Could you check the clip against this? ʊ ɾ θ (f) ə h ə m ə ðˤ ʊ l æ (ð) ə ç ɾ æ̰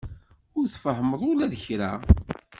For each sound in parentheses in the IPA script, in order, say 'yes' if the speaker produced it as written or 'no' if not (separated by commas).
yes, yes